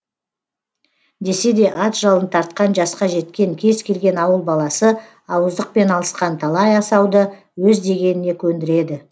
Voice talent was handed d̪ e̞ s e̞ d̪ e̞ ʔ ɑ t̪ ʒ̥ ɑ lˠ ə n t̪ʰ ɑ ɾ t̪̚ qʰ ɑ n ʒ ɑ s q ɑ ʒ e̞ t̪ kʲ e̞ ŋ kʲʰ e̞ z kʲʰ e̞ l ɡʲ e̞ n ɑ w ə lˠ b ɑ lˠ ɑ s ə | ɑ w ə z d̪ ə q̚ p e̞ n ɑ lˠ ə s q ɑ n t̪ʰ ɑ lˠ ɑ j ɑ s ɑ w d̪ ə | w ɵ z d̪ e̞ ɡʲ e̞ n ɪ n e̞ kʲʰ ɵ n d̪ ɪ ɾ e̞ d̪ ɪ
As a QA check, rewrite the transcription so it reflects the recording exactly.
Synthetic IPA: d̪ e̞ s e̞ d̪ e̞ ʔ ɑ t̪ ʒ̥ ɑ lˠ ə n t̪ʰ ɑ ɾ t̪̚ q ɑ n ʒ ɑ s q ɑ ʒ e̞ t̪ kʲ e̞ ŋ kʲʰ e̞ z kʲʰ e̞ l ɡʲ e̞ n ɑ w ə lˠ b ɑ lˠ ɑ s ə | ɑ w ə z d̪ ə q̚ p e̞ n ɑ lˠ ə s q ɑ n t̪ʰ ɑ lˠ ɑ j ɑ s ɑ w d̪ ə | w ɵ z d̪ e̞ ɡʲ e̞ n ɪ n e̞ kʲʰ ɵ n d̪ ɪ ɾ e̞ d̪ ɪ